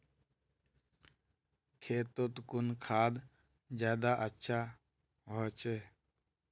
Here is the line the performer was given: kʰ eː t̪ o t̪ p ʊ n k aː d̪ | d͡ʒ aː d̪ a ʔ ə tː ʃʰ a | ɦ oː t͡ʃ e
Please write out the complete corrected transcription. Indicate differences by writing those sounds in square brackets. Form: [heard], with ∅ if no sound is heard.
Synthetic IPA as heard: kʰ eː t̪ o t̪ [k] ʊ n [kʰ] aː d̪ | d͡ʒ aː d̪ a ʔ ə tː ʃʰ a | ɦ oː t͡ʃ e